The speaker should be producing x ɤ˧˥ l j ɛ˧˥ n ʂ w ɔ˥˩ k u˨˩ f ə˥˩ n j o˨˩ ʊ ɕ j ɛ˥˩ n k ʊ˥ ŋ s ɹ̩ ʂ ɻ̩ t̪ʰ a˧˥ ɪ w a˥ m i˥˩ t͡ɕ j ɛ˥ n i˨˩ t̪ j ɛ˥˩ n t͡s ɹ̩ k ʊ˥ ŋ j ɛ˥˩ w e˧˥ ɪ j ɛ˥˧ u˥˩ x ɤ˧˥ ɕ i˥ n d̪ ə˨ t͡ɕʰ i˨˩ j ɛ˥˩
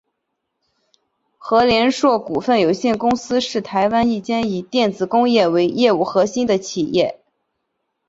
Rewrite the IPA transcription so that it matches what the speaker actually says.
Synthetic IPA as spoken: x ɤ˧˥ l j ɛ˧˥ n ʂ w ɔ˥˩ k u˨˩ f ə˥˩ n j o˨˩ ʊ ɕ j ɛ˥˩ n k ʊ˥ ŋ s ɹ̩ ʂ ɻ̩ t̪ʰ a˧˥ ɪ w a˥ n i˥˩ t͡ɕ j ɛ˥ n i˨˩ t̪ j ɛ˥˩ n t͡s ɹ̩ k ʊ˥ ŋ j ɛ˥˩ w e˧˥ ɪ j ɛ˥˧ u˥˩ x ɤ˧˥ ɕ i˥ n d̪ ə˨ t͡ɕʰ i˨˩ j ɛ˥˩

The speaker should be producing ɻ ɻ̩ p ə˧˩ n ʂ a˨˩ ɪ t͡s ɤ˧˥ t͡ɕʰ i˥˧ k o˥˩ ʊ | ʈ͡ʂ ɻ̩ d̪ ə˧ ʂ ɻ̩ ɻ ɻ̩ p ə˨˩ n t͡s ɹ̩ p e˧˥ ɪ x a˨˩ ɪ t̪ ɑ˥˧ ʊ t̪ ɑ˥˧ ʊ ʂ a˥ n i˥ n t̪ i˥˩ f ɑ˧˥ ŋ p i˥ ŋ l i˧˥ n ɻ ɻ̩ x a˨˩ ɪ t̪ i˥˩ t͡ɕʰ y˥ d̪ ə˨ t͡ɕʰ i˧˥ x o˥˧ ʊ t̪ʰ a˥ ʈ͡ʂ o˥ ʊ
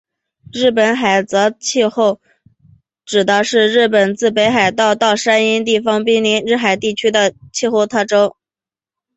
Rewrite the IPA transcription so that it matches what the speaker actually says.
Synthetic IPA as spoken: ɻ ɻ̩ p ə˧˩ n x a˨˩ ɪ t͡s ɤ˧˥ t͡ɕʰ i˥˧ x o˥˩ ʊ | ʈ͡ʂ ɻ̩ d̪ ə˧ ʂ ɻ̩ ɻ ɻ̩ p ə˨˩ n t͡s ɹ̩ p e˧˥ ɪ x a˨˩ ɪ t̪ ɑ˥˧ ʊ t̪ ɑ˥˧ ʊ ʂ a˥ n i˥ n t̪ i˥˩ f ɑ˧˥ ŋ p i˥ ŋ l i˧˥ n ɻ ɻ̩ x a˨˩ ɪ t̪ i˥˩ t͡ɕʰ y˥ d̪ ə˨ t͡ɕʰ i˥˧ x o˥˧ ʊ t̪ʰ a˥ ʈ͡ʂ o˥ ʊ

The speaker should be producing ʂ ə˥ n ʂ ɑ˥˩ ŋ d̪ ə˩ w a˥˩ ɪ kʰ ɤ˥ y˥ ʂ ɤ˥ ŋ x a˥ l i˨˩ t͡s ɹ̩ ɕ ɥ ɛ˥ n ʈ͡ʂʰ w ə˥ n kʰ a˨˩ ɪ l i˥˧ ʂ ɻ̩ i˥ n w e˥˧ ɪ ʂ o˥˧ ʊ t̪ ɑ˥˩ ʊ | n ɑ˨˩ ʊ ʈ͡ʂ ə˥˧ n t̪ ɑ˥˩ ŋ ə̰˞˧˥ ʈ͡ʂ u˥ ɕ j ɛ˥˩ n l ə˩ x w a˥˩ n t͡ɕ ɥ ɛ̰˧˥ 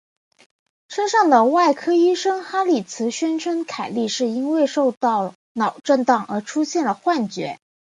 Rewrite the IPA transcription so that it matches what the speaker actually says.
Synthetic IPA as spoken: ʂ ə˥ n ʂ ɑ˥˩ ŋ d̪ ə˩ w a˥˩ ɪ kʰ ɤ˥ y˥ ʂ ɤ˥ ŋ x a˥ l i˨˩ t͡sʰ ɹ̩ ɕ ɥ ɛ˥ n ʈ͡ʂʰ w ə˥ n kʰ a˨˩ ɪ l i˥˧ ʂ ɻ̩ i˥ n w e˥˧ ɪ ʂ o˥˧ ʊ t̪ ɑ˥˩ ʊ | n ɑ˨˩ ʊ ʈ͡ʂ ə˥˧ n t̪ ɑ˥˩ ŋ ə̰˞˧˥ ʈ͡ʂʰ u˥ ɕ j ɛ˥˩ n l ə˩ x w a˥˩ n t͡ɕ ɥ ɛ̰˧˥

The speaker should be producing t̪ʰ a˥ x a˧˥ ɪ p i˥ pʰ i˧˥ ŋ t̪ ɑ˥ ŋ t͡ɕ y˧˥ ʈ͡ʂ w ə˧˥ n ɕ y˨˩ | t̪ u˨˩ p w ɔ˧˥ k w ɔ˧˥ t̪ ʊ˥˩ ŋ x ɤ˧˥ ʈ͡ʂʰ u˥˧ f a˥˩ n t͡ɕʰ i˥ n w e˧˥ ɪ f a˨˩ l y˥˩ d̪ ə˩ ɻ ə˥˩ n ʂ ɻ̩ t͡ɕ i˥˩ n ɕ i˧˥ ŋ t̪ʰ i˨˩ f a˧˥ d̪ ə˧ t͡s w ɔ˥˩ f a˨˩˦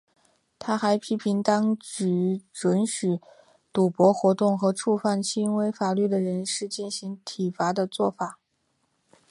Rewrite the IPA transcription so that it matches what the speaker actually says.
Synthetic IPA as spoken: t̪ʰ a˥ x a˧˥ ɪ pʰ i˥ pʰ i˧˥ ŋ t̪ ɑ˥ ŋ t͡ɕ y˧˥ ʈ͡ʂ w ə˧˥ n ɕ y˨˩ | t̪ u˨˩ p w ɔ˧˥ x w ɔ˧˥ t̪ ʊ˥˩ ŋ x ɤ˧˥ ʈ͡ʂʰ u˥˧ f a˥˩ n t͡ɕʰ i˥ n w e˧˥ ɪ f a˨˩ l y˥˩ d̪ ə˩ ɻ ə˧˥ n ʂ ɻ̩ t͡ɕ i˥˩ n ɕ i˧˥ ŋ t̪ʰ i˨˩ f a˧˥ d̪ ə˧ t͡s w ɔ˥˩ f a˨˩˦

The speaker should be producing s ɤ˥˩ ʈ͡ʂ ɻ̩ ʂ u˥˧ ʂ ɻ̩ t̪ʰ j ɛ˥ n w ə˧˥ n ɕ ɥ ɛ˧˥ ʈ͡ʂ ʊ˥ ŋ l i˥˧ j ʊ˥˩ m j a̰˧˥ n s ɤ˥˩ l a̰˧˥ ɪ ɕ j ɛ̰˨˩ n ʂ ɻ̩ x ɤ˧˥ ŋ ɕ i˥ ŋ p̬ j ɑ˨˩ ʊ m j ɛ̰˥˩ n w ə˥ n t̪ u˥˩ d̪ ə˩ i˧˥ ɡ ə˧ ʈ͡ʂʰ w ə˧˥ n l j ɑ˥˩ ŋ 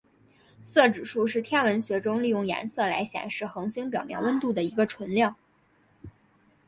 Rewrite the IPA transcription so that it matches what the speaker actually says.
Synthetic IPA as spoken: s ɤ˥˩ ʈ͡ʂ ɻ̩ ʂ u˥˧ ʂ ɻ̩ t̪ʰ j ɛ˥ n w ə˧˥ n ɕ ɥ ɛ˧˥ ʈ͡ʂ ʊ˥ ŋ l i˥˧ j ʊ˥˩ ŋ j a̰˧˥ n s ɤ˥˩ l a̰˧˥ ɪ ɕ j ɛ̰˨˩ n ʂ ɻ̩ x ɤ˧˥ ŋ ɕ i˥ ŋ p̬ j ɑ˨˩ ʊ m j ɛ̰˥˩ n w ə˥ n t̪ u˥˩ d̪ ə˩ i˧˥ ɡ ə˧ ʈ͡ʂʰ w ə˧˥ n l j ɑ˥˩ ŋ

